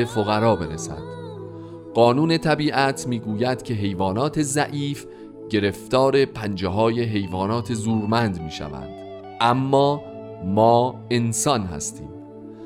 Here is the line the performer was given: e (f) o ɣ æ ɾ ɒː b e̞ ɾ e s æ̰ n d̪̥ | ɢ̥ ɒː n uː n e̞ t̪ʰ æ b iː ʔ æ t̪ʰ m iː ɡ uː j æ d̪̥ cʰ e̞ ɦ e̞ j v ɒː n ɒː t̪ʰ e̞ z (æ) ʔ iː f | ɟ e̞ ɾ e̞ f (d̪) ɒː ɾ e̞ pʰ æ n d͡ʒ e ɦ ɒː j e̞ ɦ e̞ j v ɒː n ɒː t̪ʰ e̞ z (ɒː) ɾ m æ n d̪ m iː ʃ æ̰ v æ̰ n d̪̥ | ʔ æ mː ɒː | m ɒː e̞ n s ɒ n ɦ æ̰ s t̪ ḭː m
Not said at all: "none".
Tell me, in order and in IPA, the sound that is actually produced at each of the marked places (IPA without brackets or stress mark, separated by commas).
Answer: f, æ, t̪, uː